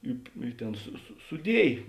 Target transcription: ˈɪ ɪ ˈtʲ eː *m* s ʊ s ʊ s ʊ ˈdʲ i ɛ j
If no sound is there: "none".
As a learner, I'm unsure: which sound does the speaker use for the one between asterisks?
n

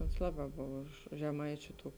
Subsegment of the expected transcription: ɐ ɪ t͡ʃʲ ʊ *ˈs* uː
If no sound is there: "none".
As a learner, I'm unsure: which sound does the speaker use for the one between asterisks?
t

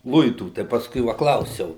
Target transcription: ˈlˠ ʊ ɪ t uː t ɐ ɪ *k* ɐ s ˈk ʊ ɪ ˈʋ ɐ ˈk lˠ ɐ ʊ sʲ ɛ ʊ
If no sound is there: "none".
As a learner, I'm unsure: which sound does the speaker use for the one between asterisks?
p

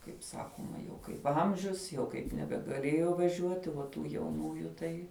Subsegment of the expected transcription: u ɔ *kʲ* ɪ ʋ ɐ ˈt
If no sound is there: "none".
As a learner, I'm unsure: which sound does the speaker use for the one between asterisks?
tʲ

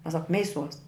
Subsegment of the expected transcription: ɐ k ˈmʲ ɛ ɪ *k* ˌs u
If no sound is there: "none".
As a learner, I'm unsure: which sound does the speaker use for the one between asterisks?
none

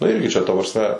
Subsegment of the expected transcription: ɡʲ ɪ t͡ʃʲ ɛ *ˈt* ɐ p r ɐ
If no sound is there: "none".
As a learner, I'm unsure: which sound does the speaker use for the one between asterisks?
t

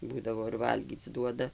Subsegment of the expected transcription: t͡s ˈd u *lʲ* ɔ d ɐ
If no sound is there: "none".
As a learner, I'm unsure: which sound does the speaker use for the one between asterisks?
none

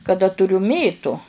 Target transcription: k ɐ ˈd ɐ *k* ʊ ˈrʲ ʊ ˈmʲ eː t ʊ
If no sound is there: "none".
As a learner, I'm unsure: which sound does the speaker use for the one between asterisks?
t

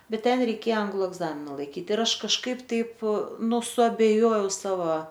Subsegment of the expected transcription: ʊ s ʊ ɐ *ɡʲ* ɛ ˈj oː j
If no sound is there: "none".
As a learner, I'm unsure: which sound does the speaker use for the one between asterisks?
bʲ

